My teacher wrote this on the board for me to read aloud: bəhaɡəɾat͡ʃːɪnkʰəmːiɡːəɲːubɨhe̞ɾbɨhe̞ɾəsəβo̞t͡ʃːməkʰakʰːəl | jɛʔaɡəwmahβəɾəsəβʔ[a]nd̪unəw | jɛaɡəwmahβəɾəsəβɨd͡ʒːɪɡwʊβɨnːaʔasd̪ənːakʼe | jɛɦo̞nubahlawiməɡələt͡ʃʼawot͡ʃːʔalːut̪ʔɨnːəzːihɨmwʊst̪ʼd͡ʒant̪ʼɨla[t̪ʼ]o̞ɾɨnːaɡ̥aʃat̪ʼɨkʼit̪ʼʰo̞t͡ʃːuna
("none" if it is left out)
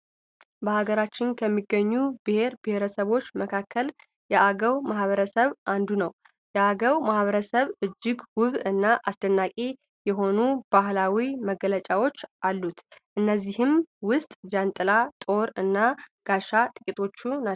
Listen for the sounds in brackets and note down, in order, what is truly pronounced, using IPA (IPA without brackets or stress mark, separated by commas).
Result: a, t̪ʼ